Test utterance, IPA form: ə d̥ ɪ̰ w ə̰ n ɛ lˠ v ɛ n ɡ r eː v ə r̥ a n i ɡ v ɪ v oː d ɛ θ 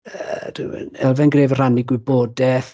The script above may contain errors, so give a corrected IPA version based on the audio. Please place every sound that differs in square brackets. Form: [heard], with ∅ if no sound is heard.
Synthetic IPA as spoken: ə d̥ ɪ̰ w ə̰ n ɛ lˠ v ɛ n ɡ r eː v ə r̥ a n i ɡ [w] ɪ [b] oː d ɛ θ